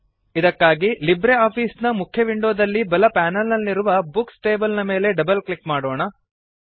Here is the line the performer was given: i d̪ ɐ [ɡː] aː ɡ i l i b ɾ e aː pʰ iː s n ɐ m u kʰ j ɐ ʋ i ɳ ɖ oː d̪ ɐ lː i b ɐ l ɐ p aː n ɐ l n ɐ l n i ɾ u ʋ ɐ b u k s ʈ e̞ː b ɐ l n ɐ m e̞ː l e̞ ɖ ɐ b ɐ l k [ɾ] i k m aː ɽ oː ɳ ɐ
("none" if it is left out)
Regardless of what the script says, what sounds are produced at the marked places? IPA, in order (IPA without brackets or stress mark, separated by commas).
kː, l